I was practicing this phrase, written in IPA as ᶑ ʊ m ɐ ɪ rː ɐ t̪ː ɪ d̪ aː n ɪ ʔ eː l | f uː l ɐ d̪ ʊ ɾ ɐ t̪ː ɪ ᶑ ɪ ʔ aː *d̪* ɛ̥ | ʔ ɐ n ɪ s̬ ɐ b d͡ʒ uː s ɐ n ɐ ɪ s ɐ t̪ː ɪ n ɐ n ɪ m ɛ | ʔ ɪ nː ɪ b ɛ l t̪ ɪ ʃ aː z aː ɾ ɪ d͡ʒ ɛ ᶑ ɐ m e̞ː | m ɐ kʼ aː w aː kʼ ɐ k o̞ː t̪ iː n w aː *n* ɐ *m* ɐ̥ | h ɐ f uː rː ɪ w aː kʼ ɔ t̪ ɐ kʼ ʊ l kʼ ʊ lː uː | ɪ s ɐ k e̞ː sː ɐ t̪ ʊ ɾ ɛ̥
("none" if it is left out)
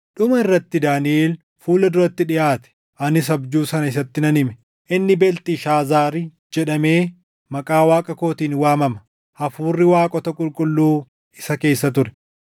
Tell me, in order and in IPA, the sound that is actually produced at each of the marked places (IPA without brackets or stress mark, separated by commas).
t̪, m, m